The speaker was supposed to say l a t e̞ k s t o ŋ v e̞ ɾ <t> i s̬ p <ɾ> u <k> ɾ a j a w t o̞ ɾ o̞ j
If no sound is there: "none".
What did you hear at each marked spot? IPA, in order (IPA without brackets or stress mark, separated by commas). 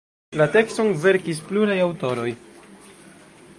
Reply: k, l, none